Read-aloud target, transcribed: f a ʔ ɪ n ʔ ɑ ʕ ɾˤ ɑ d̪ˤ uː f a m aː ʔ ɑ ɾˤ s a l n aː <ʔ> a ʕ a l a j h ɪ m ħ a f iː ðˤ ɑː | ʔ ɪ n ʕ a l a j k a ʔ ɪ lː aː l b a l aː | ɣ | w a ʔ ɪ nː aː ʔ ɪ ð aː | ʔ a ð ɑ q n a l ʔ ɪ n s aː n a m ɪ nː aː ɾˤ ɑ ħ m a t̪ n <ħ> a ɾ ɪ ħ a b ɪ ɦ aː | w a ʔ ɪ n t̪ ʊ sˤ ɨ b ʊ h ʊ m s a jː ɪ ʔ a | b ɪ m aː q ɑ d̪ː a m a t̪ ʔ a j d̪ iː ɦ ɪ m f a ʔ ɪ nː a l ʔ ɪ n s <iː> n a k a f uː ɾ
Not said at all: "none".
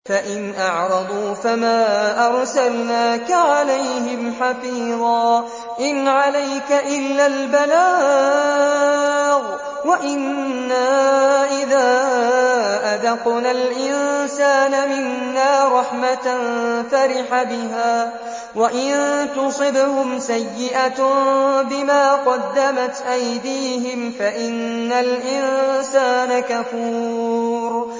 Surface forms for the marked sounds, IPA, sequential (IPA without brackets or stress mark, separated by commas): k, f, aː